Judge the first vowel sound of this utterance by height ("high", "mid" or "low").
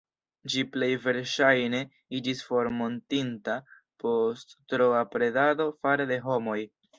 high